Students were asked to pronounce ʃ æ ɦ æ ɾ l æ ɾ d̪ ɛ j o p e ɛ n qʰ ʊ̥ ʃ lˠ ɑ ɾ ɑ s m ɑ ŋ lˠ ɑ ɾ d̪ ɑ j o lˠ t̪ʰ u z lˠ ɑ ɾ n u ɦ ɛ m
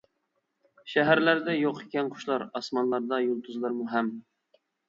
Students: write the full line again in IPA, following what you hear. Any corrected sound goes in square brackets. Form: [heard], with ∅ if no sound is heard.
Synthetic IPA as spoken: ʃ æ ɦ æ ɾ l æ ɾ d̪ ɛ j o [q] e ɛ n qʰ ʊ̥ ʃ lˠ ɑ ɾ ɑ s m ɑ [n] lˠ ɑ ɾ d̪ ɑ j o lˠ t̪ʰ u z lˠ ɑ ɾ [m] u ɦ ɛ m